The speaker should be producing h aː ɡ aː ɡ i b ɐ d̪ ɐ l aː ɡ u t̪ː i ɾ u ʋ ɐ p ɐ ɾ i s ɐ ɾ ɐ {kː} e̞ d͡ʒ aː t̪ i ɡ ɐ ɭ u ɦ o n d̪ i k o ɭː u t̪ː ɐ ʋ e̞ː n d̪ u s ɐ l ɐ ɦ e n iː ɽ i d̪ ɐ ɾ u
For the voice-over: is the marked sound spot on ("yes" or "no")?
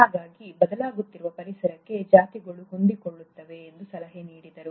yes